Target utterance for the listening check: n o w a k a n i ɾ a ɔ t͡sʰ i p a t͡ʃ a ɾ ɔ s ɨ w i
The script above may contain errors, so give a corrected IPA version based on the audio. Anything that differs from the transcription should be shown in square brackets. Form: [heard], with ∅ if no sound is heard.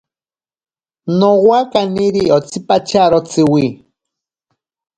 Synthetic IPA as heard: n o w a k a n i ɾ [i] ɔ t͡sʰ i p a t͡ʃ a ɾ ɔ [t͡s] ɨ w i